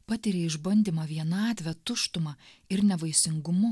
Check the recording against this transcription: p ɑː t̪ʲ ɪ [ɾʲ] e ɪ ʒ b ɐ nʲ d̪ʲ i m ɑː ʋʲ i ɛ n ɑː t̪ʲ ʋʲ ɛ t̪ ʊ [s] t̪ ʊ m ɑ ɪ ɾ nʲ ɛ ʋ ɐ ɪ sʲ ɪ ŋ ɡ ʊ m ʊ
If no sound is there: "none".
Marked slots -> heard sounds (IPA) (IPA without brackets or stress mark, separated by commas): ɾʲ, ʃ